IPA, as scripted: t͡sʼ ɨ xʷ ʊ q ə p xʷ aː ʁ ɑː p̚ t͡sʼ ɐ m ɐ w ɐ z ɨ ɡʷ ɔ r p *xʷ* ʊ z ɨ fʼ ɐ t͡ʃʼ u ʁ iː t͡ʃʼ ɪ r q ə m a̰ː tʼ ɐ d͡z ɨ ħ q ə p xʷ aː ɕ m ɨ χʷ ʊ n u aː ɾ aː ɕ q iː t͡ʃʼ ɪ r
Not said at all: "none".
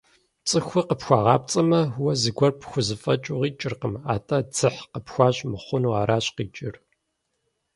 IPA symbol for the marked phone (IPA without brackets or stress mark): xʷ